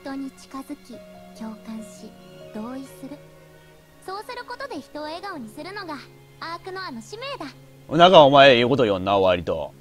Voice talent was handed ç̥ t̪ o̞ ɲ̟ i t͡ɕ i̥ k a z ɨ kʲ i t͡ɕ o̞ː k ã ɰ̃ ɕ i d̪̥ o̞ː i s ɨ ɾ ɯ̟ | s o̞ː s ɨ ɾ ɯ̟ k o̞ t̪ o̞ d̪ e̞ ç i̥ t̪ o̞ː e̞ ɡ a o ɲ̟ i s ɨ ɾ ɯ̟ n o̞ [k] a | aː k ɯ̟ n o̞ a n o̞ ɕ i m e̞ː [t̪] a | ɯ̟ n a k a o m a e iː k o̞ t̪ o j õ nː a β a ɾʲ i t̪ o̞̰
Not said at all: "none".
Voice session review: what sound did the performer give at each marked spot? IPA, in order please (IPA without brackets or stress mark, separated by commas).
ɡ, d̪